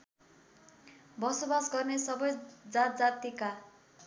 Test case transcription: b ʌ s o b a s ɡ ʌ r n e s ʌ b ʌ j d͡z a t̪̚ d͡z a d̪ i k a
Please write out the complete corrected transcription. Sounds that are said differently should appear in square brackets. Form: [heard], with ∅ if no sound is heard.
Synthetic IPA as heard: b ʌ s o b a s ɡ ʌ r n e s ʌ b ʌ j d͡z a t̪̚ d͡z a [t̪] i k a